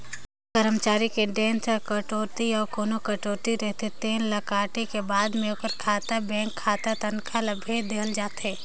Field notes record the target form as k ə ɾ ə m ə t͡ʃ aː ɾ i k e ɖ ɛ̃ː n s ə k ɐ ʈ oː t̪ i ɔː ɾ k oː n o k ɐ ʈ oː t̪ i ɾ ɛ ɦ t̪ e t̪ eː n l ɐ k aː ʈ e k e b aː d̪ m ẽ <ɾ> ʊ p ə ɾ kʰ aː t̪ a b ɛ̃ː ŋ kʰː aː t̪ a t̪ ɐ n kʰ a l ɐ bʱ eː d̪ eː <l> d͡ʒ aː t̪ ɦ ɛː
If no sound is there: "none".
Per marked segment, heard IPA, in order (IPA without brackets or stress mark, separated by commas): none, l